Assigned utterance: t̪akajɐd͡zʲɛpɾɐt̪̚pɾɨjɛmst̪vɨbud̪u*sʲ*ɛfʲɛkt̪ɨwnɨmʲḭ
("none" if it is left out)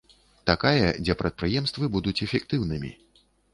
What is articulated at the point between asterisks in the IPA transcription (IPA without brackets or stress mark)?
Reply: t͡sʲ